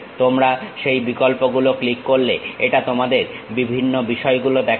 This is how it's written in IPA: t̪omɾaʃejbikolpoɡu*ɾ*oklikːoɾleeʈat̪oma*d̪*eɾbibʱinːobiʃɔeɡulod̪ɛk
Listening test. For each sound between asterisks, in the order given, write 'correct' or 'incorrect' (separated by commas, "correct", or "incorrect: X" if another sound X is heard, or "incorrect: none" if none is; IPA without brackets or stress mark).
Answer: incorrect: l, correct